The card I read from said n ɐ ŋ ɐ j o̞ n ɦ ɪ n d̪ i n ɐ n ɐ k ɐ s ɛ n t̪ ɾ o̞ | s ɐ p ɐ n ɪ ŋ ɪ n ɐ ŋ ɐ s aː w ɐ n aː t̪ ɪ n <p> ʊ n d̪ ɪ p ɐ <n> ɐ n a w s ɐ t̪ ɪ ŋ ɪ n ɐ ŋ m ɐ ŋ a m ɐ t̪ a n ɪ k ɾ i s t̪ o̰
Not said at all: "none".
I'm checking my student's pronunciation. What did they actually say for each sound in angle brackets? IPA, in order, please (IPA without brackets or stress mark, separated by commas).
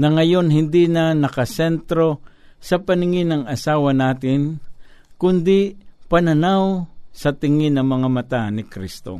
k, n